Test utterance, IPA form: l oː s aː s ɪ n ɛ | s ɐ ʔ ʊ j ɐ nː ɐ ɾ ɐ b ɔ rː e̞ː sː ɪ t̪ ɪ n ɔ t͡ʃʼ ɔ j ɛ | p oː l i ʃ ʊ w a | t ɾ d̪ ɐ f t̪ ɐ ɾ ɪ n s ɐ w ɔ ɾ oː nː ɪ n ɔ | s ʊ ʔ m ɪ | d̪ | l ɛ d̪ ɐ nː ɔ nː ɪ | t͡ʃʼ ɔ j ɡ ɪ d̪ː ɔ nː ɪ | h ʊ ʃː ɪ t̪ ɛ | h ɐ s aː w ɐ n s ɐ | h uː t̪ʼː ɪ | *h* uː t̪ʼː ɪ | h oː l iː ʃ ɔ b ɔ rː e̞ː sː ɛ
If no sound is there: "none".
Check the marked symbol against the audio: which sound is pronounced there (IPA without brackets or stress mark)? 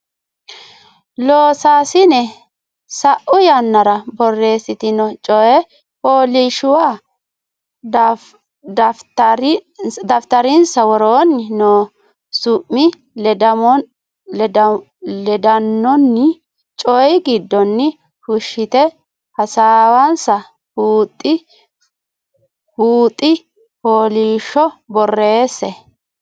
h